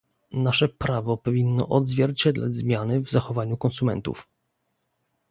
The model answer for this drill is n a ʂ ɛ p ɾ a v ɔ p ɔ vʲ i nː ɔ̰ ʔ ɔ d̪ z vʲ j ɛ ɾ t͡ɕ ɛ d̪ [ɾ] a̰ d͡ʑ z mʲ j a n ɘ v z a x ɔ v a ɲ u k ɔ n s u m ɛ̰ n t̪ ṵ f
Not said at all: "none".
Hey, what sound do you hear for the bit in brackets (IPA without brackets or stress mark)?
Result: l